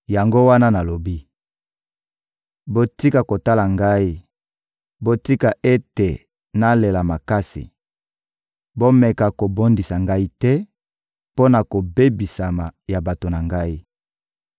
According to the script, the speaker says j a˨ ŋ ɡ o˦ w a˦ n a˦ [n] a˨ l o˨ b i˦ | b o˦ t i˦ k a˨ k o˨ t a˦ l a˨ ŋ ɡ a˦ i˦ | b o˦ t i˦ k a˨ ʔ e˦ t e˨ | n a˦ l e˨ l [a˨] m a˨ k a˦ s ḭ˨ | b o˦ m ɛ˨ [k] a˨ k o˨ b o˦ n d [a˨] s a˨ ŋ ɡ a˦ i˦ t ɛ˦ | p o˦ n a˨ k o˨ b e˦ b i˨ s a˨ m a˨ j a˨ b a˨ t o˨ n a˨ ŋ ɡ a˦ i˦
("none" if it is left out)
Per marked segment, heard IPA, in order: n, a˨, k, i˨

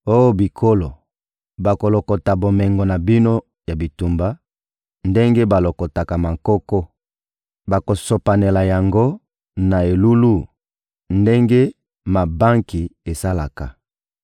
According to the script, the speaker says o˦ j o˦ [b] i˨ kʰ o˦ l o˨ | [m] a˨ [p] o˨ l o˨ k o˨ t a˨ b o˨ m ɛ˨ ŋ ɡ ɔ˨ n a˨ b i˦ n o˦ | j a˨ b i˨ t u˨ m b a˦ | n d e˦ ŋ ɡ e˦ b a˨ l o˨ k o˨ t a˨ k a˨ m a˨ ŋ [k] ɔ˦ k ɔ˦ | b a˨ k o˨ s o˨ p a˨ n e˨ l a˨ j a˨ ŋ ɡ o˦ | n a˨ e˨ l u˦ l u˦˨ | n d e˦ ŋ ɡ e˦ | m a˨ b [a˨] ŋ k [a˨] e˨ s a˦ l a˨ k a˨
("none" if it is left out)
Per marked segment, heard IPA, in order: b, b, k, k, a˦, i˨

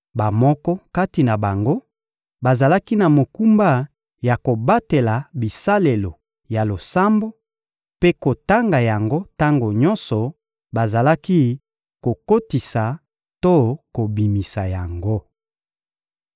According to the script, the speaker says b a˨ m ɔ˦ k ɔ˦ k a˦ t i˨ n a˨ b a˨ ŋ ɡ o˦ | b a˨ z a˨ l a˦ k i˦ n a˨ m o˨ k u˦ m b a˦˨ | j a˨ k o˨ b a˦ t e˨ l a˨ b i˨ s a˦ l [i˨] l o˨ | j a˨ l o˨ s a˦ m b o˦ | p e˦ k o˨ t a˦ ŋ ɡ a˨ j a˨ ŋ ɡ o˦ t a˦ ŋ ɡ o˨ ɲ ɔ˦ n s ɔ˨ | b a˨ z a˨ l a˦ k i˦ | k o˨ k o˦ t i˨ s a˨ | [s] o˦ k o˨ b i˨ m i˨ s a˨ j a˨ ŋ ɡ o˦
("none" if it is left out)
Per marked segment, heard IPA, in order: e˨, t

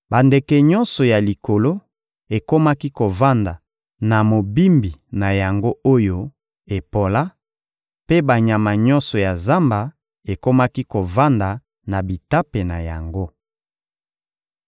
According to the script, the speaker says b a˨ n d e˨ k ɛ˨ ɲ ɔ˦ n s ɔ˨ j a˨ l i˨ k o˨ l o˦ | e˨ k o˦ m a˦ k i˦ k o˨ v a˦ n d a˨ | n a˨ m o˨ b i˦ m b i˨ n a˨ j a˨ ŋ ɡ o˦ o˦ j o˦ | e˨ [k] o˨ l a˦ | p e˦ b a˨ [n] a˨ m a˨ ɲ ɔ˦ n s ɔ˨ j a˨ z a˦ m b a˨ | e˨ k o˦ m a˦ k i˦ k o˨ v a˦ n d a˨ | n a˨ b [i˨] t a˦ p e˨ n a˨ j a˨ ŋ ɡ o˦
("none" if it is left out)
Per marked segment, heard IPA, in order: p, ɲ, i˨

